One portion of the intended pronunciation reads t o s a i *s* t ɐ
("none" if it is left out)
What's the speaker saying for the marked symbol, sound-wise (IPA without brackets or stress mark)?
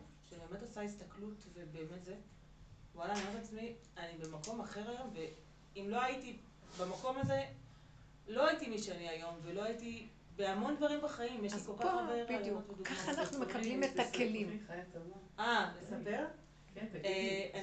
s